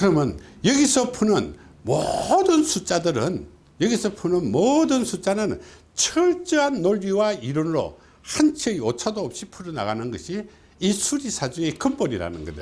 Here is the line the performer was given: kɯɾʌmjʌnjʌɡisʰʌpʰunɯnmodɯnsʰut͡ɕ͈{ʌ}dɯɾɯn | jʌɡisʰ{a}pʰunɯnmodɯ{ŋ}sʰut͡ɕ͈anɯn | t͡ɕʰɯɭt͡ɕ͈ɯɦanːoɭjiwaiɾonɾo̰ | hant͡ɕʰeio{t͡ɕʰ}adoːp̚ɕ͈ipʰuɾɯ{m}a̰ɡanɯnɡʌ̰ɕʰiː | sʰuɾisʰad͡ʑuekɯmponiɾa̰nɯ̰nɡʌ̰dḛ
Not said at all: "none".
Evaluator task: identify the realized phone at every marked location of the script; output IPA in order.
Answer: a, ʌ, n, t͡ɕʰ, n

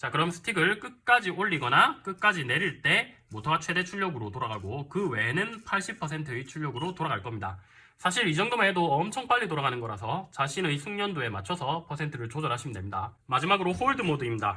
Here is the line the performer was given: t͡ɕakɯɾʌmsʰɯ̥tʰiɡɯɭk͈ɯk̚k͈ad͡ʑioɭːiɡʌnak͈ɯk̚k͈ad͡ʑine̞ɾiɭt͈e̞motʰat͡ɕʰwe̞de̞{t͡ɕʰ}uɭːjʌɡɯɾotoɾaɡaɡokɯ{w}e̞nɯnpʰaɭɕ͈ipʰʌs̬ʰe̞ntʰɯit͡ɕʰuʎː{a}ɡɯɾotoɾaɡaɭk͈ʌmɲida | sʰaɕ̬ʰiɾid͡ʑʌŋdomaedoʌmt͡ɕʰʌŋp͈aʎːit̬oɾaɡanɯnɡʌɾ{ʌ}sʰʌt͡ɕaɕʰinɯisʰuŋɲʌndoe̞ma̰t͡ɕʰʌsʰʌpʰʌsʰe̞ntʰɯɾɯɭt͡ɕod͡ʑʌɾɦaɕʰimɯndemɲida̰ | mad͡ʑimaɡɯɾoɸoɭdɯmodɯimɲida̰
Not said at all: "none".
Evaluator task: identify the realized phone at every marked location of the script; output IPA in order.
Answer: t͡ɕʰ, w, ʌ, a

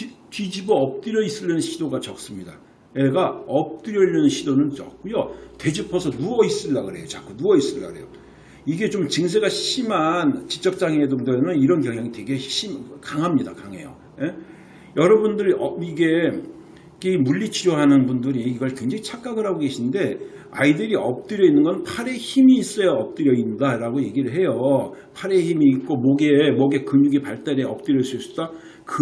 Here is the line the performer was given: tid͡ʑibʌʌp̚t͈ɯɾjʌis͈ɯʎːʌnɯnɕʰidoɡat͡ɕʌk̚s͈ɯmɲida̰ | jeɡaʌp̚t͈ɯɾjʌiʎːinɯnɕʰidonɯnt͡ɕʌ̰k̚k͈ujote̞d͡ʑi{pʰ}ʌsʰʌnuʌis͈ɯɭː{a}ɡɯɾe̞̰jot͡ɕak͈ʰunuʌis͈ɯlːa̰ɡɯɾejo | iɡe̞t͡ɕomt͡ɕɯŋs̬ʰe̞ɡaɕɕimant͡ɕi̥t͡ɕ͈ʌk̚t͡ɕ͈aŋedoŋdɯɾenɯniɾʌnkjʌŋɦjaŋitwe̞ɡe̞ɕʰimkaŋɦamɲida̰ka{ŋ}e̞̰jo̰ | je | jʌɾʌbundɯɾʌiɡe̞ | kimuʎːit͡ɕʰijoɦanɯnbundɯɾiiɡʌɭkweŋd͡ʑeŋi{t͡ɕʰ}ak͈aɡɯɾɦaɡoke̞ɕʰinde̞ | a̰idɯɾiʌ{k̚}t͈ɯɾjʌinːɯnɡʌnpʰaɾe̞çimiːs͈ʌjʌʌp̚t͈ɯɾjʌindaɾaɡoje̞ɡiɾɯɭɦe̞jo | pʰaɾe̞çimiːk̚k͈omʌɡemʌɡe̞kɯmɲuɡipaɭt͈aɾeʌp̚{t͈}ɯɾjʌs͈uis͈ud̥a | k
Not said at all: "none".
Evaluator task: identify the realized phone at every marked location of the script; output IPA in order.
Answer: pʰ, a, ŋ, t͡ɕʰ, p̚, t͈

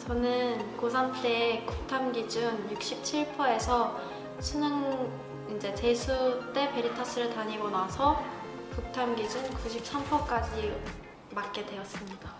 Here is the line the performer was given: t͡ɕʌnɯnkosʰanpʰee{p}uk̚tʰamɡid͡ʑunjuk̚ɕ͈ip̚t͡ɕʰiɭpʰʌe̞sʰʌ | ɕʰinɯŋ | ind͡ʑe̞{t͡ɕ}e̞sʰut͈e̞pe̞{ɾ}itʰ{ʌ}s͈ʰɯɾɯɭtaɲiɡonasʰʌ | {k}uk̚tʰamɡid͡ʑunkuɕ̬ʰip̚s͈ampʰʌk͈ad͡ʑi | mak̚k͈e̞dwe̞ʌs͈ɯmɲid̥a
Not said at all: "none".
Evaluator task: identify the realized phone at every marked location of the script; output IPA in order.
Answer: k, t͡ɕ, ɾ, ʌ, k

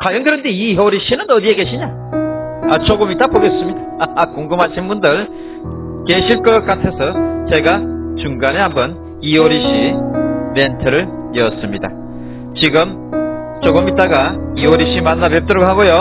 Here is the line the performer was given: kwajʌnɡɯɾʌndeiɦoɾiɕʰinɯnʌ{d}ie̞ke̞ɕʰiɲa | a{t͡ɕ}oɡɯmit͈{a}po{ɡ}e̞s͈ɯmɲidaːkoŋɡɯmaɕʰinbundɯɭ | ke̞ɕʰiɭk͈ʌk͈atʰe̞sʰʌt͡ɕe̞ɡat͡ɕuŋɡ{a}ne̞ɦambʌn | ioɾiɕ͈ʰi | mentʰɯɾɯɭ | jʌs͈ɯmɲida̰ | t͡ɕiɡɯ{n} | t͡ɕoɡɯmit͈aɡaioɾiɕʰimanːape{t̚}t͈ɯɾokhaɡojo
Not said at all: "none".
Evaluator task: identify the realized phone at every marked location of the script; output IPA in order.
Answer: d, t͡ɕ, a, ɡ, a, m, p̚

